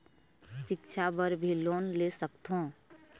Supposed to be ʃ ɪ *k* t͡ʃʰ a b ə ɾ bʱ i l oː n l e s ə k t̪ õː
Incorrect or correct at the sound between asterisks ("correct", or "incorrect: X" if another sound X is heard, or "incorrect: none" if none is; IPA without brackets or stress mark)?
correct